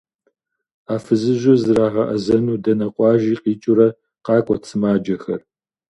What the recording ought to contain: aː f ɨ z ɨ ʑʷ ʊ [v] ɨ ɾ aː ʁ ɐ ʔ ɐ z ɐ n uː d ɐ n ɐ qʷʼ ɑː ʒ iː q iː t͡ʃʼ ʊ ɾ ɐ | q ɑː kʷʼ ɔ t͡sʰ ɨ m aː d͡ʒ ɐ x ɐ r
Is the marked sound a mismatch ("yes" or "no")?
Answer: yes